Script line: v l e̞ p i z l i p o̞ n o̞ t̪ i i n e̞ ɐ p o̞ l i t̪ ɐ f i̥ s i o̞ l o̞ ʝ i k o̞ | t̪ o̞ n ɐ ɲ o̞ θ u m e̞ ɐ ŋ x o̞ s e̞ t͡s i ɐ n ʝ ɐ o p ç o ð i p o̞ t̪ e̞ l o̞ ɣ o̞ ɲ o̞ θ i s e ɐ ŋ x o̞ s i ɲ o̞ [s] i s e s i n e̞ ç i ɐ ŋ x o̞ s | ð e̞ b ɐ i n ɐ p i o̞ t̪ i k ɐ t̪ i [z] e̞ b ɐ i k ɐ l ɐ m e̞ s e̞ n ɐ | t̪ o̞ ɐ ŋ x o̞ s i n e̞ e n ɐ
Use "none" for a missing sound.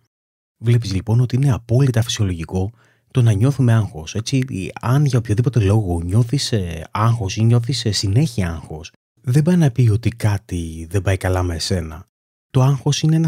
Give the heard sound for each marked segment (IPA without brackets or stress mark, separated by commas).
θ, ð